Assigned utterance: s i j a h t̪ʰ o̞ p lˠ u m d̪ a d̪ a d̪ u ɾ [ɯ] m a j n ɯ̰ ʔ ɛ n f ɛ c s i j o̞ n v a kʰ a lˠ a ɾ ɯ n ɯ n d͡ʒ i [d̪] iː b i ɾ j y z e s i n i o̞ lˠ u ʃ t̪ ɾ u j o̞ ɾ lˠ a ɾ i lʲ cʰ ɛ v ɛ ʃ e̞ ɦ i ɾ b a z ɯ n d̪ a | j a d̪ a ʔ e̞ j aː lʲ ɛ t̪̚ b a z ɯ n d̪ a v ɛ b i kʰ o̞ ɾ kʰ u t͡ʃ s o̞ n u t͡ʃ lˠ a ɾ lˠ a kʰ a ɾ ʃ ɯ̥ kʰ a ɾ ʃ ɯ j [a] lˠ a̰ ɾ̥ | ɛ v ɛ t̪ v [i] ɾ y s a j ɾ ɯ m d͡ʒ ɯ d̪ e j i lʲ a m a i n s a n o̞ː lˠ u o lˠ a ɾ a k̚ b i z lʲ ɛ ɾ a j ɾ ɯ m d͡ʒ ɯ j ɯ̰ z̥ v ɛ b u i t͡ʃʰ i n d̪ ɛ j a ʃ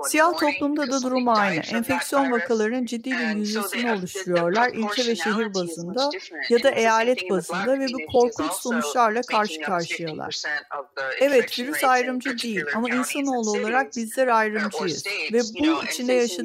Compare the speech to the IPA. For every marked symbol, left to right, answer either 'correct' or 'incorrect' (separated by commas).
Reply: incorrect, incorrect, correct, correct